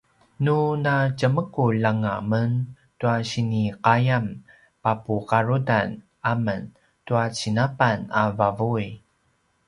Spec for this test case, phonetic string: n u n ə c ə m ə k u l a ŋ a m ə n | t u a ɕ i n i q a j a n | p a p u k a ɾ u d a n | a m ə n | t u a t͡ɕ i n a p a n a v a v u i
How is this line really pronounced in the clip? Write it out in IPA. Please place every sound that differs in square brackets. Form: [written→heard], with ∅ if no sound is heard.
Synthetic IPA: n u n [ə→a] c ə m ə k u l a ŋ a m ə n | t u a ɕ i n i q a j a [n→m] | p a p u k a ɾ u d a n | a m ə n | t u a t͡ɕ i n a p a n a v a v u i